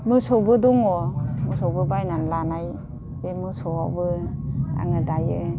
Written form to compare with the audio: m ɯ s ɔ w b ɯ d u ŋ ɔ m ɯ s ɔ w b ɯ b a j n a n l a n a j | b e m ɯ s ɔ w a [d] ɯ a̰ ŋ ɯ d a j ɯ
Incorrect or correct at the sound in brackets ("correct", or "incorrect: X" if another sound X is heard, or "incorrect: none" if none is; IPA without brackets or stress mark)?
incorrect: b